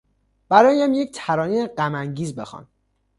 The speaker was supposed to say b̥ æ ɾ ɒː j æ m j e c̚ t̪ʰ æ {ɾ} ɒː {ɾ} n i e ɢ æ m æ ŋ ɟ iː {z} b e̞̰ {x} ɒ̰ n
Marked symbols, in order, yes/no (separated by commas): yes, no, yes, yes